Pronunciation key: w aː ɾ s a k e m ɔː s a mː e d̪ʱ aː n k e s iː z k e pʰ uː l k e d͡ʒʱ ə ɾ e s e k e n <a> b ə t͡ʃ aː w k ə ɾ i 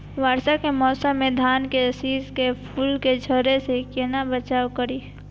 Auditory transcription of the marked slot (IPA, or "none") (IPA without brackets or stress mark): a